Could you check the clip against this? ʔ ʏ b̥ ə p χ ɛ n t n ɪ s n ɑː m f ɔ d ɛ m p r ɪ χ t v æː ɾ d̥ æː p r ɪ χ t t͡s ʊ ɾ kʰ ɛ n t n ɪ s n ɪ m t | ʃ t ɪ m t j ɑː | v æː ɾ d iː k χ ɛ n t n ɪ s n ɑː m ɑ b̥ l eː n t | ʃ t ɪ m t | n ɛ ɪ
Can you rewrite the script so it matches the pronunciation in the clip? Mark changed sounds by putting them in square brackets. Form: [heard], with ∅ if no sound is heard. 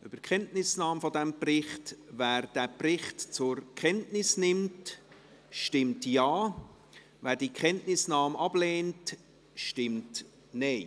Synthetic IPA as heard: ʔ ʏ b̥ ə [k] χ ɛ n t n ɪ s n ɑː m f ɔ d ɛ m p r ɪ χ t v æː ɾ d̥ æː p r ɪ χ t t͡s ʊ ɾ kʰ ɛ n t n ɪ s n ɪ m t | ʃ t ɪ m t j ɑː | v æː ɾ d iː k χ ɛ n t n ɪ s n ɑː m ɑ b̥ l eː n t | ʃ t ɪ m t | n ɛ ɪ

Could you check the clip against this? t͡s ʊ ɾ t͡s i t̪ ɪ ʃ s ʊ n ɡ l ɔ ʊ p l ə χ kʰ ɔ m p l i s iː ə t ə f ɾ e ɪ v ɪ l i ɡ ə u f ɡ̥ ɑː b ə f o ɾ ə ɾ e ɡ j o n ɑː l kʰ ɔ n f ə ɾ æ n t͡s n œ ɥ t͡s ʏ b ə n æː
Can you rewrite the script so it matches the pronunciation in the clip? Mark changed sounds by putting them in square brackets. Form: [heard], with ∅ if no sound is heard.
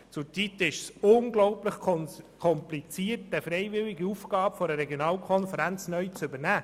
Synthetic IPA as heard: t͡s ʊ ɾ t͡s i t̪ ɪ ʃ s ʊ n ɡ l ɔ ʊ p l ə χ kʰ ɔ m p l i [t͡s] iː ə t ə f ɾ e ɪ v ɪ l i ɡ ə u f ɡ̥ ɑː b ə f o ɾ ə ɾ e ɡ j o n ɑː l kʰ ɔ n f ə ɾ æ n t͡s n œ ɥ t͡s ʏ b ə n æː

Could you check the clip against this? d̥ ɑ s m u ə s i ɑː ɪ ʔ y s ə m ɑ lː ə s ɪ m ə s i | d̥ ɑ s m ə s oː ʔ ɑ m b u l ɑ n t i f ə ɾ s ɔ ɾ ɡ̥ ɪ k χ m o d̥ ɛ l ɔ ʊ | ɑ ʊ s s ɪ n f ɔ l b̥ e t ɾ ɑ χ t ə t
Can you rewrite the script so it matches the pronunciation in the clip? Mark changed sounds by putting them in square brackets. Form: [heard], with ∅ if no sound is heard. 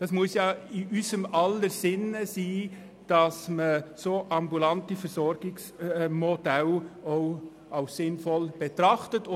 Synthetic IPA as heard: d̥ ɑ s m u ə s [j] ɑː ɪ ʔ y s ə m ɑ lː ə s ɪ [n] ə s [iː] | d̥ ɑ s m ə s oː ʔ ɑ m b u l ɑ n t i f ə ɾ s ɔ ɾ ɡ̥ ɪ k [s] m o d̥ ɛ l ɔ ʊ | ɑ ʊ s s ɪ n f ɔ l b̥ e t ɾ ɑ χ t ə t

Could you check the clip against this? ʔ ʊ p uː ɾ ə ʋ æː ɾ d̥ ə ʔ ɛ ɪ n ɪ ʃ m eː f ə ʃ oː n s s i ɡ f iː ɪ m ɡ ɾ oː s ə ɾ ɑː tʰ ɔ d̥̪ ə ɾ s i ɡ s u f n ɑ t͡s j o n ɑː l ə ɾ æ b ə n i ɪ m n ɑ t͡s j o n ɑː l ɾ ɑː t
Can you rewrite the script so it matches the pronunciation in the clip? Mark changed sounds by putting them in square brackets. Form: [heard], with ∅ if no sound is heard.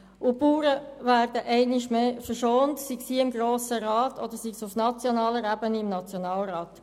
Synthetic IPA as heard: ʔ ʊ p uː ɾ ə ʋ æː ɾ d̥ ə ʔ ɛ ɪ n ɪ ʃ m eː f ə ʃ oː n [t] s i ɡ [s] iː ɪ m ɡ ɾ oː s ə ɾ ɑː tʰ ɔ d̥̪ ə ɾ s i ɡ s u f n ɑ t͡s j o n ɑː l ə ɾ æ b ə n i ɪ m n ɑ t͡s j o n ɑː l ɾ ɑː t

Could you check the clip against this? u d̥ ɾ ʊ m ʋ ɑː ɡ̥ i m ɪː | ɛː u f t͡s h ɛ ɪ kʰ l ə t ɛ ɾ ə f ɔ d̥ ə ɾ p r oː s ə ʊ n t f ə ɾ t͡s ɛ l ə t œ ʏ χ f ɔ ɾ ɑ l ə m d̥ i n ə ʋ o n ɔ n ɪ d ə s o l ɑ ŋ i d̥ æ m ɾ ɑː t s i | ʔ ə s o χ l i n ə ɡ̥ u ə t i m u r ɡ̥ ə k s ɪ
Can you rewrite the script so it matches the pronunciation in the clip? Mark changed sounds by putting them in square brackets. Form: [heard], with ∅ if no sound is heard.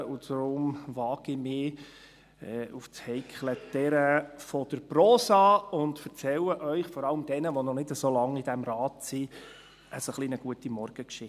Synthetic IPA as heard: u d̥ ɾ ʊ m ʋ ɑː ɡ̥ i m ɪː | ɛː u f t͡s h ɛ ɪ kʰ l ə t ɛ ɾ ə f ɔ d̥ ə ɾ p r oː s [ɑ] ʊ n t f ə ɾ t͡s ɛ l ə [ʔ] œ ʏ χ f ɔ ɾ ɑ l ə m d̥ [ɛ] n ə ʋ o n ɔ n ɪ d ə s o l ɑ ŋ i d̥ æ m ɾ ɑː t s i | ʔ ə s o χ l i n ə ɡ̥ u ə t i m [ɔ] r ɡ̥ ə k [ʃ] ɪ

